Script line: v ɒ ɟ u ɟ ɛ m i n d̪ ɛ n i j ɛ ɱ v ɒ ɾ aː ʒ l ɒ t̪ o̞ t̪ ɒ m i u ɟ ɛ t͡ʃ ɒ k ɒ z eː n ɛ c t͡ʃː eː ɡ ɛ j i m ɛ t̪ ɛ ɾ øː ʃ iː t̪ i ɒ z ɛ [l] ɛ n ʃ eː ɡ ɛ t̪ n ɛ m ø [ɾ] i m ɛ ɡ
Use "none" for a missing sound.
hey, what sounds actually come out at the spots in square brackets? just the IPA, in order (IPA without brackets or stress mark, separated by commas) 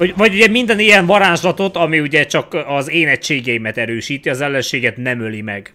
lː, l